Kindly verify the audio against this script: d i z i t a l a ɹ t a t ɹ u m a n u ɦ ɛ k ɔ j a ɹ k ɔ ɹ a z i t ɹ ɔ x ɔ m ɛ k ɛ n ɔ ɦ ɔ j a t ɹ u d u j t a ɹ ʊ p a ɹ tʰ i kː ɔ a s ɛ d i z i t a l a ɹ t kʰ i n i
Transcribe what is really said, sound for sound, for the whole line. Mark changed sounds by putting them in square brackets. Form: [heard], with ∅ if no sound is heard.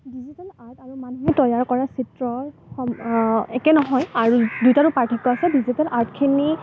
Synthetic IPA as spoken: d i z i t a l a ɹ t a [∅] ɹ u m a n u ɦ ɛ [t] ɔ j a ɹ k ɔ ɹ a [s] i t ɹ ɔ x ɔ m ɛ k ɛ n ɔ ɦ ɔ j a [∅] ɹ u d u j t a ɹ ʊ p a ɹ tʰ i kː ɔ a s ɛ d i z i t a l a ɹ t kʰ i n i